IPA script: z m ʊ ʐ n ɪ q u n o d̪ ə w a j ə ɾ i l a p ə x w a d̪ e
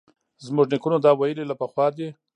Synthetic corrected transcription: z m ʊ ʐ n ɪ k u n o d̪ ɑ w a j ə l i l a p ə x w ɑ d̪ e